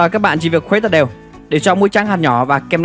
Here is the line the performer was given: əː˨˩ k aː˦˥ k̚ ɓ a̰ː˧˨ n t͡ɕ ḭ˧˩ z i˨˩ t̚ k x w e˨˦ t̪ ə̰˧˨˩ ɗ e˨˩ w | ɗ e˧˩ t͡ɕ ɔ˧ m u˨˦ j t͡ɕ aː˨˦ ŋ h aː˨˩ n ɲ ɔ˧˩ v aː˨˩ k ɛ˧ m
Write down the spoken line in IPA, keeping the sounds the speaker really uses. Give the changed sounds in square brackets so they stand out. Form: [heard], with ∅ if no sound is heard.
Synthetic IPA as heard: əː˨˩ k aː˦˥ k̚ ɓ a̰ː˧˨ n t͡ɕ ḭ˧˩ [v] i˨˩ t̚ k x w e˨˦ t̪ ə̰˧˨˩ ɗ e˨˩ w | ɗ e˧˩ t͡ɕ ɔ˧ m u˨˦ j t͡ɕ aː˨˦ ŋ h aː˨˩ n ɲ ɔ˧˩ v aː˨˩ k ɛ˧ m